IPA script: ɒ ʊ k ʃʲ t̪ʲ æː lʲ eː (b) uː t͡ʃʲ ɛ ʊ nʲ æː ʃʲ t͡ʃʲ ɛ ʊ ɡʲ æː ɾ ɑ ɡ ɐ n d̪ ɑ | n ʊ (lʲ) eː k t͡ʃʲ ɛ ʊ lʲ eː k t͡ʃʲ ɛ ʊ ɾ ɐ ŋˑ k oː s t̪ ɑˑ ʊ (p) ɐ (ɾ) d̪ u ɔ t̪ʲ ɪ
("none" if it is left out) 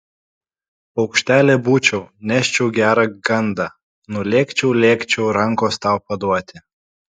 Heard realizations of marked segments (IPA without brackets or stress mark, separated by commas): b, lʲ, p, none